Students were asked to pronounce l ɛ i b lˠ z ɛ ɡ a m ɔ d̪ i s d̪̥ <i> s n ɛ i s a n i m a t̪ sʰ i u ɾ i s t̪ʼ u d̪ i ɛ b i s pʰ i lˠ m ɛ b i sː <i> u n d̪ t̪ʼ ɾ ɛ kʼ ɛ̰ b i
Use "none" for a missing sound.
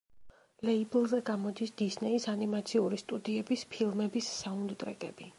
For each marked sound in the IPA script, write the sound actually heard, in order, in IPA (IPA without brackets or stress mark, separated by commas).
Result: i, a